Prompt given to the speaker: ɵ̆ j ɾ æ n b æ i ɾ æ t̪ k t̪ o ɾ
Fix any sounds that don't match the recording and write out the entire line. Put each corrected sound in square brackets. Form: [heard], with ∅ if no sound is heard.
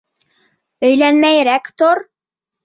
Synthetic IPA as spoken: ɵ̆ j [l] æ n [m] æ [j] ɾ æ [∅] k t̪ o ɾ